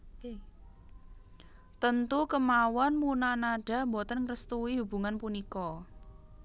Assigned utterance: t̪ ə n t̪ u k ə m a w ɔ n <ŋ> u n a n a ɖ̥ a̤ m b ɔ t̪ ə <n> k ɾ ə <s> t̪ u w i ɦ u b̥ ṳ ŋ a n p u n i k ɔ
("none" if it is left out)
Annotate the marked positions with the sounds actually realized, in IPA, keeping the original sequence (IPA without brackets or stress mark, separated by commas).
m, n, s